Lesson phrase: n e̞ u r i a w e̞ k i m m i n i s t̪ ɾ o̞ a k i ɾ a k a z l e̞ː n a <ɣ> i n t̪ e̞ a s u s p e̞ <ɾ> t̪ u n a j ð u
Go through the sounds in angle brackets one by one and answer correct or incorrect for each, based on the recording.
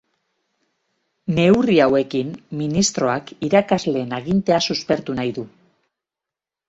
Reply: correct, correct

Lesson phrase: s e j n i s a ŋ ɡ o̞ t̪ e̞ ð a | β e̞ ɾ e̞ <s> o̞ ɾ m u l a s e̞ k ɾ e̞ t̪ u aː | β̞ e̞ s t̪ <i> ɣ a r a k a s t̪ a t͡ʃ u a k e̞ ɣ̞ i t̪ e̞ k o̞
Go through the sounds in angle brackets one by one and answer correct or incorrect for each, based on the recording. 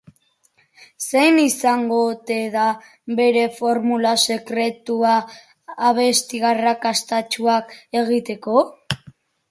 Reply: incorrect, correct

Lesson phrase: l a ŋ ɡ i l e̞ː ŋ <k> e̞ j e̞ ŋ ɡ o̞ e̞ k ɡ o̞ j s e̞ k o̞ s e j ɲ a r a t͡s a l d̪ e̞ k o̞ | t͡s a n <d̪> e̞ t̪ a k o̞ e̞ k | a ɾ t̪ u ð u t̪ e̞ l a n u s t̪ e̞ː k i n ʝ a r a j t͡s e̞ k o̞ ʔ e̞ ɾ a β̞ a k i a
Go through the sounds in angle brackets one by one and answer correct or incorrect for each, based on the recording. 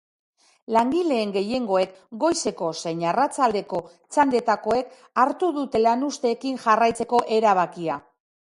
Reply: incorrect, correct

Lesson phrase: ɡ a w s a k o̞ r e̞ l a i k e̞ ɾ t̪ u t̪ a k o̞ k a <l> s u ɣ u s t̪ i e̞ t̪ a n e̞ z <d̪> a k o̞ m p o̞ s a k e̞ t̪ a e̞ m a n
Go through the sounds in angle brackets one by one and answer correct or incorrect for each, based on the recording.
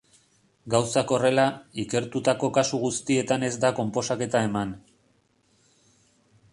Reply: incorrect, correct

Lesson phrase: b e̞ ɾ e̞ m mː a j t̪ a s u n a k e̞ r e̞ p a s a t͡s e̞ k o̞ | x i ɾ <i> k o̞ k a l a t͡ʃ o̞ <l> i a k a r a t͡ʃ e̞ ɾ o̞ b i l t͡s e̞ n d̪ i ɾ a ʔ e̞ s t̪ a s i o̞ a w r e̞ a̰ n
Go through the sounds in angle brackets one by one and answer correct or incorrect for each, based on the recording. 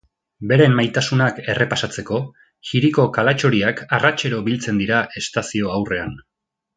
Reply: correct, incorrect

